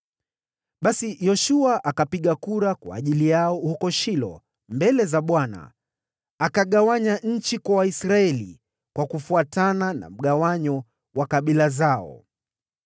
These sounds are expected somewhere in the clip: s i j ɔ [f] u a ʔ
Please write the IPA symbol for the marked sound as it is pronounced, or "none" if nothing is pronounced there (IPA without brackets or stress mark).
ʃ